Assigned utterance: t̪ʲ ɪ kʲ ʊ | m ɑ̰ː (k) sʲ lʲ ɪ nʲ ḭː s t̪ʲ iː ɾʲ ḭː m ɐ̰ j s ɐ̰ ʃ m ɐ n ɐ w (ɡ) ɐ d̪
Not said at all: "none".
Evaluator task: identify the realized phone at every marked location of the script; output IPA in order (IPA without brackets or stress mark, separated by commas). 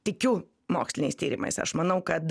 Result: k, k